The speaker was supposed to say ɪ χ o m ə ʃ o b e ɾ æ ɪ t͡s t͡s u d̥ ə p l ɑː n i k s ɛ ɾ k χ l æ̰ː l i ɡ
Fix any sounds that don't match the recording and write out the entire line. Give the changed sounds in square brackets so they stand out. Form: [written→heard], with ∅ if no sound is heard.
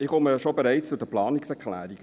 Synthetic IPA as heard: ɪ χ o m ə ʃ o b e ɾ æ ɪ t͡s t͡s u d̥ ə p l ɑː n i k s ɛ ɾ k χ l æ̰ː [l→ɾ] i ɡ